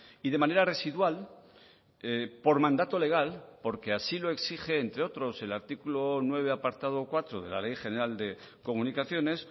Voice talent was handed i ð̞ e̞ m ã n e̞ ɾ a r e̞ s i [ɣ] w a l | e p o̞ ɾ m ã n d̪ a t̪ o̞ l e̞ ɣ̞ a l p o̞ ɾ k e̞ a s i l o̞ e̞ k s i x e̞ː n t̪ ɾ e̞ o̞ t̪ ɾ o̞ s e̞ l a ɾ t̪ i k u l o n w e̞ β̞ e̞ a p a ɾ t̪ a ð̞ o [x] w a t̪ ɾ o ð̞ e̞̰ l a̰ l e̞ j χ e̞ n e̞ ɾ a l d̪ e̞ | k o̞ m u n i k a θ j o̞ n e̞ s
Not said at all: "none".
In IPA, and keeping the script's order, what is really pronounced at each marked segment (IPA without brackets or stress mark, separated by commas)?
ð, k